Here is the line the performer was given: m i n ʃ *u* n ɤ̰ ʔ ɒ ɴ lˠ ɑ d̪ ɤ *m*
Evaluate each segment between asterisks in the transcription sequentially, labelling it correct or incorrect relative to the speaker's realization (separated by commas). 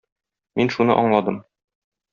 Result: correct, correct